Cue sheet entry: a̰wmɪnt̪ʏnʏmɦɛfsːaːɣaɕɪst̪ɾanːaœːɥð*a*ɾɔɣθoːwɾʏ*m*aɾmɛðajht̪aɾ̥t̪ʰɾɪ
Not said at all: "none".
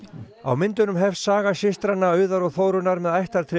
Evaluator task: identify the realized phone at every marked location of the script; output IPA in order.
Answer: a, n

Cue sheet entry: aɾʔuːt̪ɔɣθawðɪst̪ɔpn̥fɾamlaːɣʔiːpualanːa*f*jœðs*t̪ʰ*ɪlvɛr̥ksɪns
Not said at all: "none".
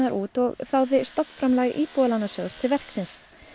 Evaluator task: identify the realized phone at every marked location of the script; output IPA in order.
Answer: s, t̪ʰ

